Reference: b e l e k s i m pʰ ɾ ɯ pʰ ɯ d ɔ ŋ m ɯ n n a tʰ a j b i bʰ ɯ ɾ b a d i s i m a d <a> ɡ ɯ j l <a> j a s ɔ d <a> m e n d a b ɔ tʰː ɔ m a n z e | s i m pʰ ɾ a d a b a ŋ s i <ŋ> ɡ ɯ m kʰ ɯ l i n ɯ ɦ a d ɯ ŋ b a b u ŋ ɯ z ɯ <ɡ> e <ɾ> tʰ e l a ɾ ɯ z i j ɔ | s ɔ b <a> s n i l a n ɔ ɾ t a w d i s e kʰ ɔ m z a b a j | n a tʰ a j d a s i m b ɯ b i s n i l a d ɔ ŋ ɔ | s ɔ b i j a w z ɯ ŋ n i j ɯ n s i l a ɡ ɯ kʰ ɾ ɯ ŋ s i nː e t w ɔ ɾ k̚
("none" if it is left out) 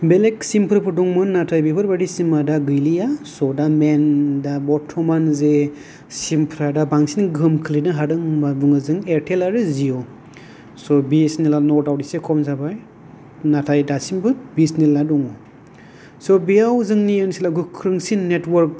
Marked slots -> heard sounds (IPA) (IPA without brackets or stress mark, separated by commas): a, i, a, n, ŋ, ɾ, i